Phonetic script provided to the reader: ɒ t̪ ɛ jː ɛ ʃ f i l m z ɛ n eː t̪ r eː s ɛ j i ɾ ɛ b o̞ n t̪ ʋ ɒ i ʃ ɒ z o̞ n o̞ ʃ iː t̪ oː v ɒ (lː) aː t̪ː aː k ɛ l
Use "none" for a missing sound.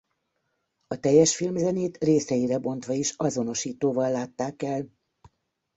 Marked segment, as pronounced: lː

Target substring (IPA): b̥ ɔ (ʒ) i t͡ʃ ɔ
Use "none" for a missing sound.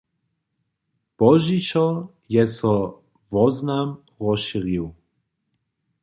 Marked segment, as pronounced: ʒ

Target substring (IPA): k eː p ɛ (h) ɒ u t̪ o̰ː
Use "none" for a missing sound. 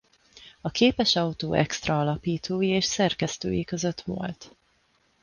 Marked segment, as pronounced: ʃ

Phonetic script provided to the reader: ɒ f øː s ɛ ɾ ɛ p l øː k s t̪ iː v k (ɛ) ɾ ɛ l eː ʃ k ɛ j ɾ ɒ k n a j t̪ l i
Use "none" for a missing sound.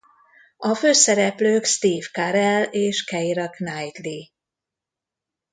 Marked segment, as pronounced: a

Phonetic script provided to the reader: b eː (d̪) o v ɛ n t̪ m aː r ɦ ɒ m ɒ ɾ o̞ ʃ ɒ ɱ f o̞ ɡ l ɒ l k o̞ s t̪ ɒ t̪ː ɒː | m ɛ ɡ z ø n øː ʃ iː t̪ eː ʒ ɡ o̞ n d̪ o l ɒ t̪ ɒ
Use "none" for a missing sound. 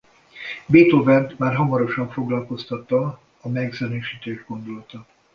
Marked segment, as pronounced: t̪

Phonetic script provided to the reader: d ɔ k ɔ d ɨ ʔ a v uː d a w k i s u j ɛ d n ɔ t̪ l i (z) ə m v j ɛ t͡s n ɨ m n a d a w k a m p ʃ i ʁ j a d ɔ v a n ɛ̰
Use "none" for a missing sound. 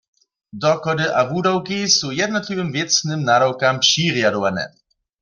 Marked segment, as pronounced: v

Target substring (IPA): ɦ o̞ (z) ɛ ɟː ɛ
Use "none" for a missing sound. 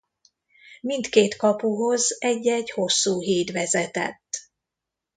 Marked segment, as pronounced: z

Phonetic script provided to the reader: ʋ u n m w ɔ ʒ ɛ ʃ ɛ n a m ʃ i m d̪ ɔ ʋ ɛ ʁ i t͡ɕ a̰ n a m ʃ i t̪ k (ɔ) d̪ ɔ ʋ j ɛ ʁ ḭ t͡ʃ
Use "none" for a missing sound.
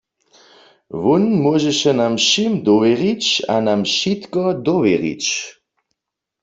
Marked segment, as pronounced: ɔ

